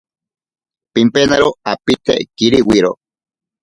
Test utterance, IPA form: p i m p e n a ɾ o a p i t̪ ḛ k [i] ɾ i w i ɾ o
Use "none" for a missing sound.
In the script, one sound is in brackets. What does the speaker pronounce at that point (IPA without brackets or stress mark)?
i